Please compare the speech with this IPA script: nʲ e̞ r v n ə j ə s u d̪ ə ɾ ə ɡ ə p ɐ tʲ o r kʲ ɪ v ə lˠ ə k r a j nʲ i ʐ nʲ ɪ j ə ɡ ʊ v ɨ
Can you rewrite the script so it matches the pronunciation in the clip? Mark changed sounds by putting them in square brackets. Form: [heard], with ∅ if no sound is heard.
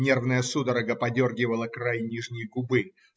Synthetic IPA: nʲ e̞ r v n ə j ə s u d̪ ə ɾ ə ɡ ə p ɐ [dʲ] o r [ɡʲ] ɪ v ə lˠ ə k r a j nʲ i ʐ nʲ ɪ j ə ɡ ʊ [b] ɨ